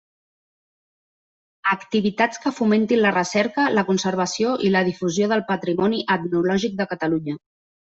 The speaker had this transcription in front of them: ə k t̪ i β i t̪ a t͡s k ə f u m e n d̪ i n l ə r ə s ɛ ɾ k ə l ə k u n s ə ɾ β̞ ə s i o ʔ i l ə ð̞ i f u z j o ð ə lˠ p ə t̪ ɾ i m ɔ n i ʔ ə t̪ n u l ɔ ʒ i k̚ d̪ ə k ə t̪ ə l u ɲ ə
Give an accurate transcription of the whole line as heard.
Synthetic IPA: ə k t̪ i β i t̪ a t͡s k ə f u m e n t̪ i n l ə r ə s ɛ ɾ k ə l ə k u n s ə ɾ β̞ ə s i o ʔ i l ə ð̞ i f u z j o ð ə lˠ p ə t̪ ɾ i m ɔ n i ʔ ə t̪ n u l ɔ ʒ i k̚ d̪ ə k ə t̪ ə l u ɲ ə